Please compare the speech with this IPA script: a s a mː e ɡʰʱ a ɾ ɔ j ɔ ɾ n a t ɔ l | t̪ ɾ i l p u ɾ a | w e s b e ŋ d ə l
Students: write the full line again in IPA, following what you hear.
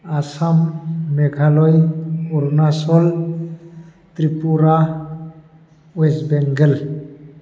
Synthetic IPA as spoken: a s a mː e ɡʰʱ a l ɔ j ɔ ɾ n a s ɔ l | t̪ ɾ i p u ɾ a | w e s b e ŋ ɡ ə l